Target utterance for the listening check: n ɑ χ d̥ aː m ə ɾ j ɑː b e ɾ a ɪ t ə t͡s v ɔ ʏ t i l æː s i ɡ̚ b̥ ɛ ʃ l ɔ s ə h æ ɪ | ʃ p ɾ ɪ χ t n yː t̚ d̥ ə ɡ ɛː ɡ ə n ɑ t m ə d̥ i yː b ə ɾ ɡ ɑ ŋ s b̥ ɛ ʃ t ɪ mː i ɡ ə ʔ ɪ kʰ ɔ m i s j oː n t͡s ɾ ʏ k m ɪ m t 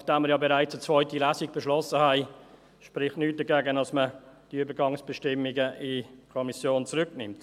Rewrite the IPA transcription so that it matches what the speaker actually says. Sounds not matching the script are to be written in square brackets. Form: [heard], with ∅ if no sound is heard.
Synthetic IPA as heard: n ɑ χ d̥ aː m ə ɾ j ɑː b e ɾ a ɪ [t͡s] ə t͡s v ɔ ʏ t i l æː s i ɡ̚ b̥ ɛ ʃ l ɔ s ə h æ ɪ | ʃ p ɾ ɪ χ t n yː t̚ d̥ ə ɡ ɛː ɡ ə n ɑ [s] m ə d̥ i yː b ə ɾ ɡ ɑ ŋ s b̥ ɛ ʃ t ɪ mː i ɡ ə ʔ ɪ kʰ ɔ m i s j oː n t͡s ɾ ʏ k [n] ɪ m t

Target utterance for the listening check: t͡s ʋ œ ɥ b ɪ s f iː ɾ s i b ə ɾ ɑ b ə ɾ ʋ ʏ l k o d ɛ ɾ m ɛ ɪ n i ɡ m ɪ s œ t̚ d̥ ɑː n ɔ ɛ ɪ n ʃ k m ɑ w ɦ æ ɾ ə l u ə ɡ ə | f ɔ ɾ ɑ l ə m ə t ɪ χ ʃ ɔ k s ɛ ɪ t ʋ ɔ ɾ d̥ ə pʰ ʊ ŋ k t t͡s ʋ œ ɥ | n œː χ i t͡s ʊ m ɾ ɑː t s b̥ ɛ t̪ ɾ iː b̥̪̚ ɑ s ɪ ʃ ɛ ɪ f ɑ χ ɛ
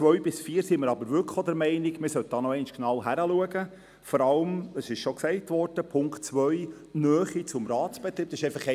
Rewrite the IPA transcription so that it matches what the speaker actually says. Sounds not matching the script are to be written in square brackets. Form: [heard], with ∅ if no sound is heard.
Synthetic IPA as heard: t͡s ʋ œ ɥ b ɪ s f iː ɾ s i [m] ə ɾ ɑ b ə ɾ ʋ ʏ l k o d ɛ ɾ m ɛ ɪ n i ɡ m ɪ s œ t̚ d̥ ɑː n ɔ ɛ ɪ n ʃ k [n] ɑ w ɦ æ ɾ ə l u ə ɡ ə | f ɔ ɾ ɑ l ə m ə [s] ɪ [ʃ] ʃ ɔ k s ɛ ɪ t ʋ ɔ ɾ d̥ ə pʰ ʊ ŋ k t t͡s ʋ œ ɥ | n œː χ i t͡s ʊ m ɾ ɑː t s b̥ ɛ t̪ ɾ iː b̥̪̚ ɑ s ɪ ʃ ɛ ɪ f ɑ χ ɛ

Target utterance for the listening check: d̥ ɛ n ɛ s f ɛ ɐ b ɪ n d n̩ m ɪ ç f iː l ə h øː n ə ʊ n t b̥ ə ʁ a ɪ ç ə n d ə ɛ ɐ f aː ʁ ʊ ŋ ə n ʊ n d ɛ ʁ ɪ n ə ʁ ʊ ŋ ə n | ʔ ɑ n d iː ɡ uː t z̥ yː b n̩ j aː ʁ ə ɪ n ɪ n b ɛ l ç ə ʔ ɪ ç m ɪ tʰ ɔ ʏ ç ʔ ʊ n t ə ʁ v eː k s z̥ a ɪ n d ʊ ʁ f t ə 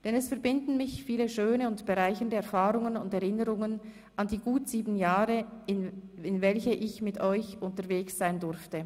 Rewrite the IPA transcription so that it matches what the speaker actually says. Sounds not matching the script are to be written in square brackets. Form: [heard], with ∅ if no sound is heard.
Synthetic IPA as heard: d̥ ɛ n ɛ s f ɛ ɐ b ɪ n d n̩ m ɪ ç f iː l ə [ʃ] øː n ə ʊ n t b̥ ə ʁ a ɪ ç ə n d ə ɛ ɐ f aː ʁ ʊ ŋ ə n ʊ n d ɛ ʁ ɪ n ə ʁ ʊ ŋ ə n | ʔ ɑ n d iː ɡ uː t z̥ [iː] b n̩ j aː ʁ ə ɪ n ɪ n [v] ɛ l ç ə ʔ ɪ ç m ɪ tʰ ɔ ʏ ç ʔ ʊ n t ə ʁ v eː k s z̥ a ɪ n d ʊ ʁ f t ə

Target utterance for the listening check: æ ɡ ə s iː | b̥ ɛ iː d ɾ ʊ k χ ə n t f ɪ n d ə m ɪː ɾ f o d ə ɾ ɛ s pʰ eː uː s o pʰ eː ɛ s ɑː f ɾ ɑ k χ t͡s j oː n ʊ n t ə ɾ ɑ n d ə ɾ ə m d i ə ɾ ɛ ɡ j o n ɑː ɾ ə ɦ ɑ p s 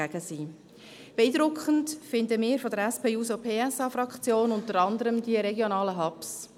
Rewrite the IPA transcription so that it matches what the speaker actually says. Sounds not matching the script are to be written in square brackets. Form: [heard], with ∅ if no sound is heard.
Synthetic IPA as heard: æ ɡ ə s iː | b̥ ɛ iː d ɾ ʊ k χ ə n t f ɪ n d ə m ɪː ɾ f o d ə ɾ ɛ s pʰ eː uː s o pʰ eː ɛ s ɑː f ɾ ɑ k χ t͡s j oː n ʊ n t ə ɾ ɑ n d ə ɾ ə m d i ə ɾ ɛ ɡ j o n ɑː [l] ə ɦ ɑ p s

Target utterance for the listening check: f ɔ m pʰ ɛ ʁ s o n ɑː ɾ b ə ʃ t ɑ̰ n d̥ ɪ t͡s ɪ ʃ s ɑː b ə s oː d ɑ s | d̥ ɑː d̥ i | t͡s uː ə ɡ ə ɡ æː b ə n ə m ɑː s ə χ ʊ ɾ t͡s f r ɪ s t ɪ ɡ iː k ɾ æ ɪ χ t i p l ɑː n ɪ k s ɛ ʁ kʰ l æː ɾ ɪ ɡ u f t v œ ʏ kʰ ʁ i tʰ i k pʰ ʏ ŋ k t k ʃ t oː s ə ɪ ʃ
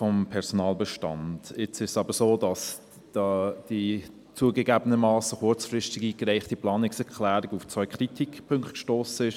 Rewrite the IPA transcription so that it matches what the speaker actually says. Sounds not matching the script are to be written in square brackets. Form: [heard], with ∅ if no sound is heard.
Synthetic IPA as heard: f ɔ m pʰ ɛ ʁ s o n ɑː [l] b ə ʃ t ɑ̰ n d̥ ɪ t͡s ɪ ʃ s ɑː b ə s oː d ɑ s | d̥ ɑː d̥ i | t͡s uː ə ɡ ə ɡ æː b ə n ə m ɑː s ə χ ʊ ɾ t͡s f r ɪ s t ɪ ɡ iː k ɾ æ ɪ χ t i p l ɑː n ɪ k s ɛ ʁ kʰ l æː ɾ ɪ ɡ u f [t͡s] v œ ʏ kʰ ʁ i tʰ i k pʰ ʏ ŋ k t k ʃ t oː s ə ɪ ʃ

